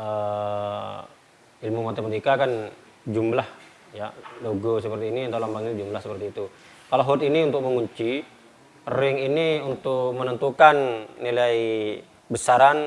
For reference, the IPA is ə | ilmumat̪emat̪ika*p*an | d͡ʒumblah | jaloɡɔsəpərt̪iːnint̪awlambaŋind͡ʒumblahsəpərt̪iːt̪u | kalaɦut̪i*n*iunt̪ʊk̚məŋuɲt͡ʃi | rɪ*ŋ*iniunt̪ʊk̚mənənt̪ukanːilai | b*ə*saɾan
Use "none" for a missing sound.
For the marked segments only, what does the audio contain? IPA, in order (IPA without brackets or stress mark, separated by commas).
k, n, ŋ, ə